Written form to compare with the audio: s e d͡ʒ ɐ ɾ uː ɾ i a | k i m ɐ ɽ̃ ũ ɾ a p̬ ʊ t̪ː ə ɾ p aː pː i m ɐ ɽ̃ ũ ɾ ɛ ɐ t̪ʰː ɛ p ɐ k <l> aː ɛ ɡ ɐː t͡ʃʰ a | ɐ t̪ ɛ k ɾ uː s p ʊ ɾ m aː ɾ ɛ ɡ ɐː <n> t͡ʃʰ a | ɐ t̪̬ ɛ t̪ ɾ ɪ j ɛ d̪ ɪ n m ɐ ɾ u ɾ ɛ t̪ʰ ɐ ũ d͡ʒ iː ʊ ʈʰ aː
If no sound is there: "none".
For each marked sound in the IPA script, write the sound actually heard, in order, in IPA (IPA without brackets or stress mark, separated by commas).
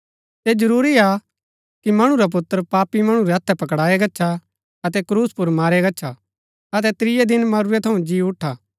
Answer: ɽ, none